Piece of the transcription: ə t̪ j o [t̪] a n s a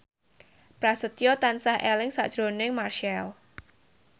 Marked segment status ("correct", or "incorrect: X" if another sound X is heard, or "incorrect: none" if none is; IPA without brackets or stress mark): correct